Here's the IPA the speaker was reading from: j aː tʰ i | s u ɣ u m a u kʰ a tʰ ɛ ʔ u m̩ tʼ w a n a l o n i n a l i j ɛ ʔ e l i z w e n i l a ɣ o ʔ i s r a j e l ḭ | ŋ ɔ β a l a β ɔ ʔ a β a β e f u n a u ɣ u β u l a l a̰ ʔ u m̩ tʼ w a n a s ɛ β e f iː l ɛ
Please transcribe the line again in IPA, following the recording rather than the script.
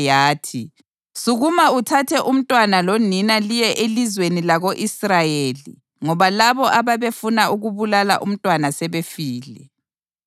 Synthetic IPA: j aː tʰ i | s u ɣ u m a u tʰ a tʰ ɛ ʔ u m̩ tʼ w a n a l o n i n a l i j ɛ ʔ e l i z w e n i l a ɣ o ʔ i s r a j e l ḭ | ŋ ɔ β a l a β ɔ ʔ a β a β e f u n a u ɣ u β u l a l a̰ ʔ u m̩ tʼ w a n a s ɛ β e f iː l ɛ